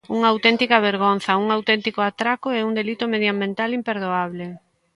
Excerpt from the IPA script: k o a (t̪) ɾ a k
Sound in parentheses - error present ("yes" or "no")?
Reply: no